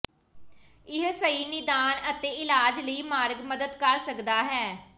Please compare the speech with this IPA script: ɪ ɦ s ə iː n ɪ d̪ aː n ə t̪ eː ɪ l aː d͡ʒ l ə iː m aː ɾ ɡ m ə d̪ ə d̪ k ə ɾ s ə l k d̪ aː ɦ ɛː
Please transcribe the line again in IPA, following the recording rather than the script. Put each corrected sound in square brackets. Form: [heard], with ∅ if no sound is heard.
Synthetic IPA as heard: ɪ ɦ s ə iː n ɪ d̪ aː n ə t̪ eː ɪ l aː d͡ʒ l ə iː m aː ɾ ɡ m ə d̪ ə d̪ k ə ɾ s ə [∅] k d̪ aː ɦ ɛː